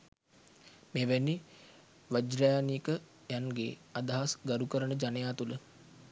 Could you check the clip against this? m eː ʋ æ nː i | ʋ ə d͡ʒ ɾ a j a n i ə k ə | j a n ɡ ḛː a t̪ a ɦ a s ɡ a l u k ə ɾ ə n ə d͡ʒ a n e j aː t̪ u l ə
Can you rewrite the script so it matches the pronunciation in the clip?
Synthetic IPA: m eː ʋ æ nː i | ʋ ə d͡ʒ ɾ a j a n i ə k ə | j a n ɡ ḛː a d̪ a ɦ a s ɡ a ɾ u k ə ɾ ə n ə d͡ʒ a n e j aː t̪ u l ə